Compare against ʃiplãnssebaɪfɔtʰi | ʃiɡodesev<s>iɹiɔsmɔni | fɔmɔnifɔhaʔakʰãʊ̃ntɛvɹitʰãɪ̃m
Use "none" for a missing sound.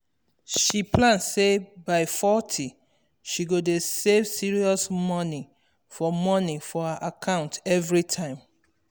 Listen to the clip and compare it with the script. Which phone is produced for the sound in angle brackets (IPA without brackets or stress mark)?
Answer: s